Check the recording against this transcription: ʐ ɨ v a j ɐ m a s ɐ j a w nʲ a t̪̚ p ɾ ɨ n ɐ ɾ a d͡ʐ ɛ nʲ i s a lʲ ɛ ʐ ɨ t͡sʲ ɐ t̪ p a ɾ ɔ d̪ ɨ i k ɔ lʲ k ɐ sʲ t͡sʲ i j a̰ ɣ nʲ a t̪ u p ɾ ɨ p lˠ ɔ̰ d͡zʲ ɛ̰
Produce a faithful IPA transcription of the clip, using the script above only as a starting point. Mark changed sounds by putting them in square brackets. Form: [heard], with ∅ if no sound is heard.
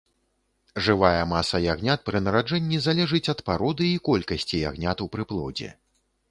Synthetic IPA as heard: ʐ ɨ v a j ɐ m a s ɐ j a [ɣ] nʲ a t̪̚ p ɾ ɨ n ɐ ɾ a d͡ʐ ɛ [nʲː] i [z] a lʲ ɛ ʐ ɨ t͡sʲ ɐ t̪ p a ɾ ɔ d̪ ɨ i k ɔ lʲ k ɐ sʲ t͡sʲ i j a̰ ɣ nʲ a t̪ u p ɾ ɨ p lˠ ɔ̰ d͡zʲ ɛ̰